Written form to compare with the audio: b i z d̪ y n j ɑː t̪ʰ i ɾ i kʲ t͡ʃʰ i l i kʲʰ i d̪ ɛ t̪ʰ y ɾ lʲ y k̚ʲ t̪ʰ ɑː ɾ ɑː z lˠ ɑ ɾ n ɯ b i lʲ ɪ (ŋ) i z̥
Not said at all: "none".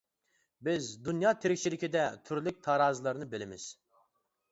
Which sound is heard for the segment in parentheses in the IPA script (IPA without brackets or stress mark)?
m